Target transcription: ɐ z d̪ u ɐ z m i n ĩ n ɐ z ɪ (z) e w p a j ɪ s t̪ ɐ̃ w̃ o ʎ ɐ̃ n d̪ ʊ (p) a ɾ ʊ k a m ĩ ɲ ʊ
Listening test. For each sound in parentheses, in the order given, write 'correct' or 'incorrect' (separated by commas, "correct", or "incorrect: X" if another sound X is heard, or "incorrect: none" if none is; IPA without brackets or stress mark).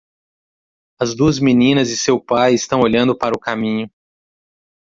incorrect: s, correct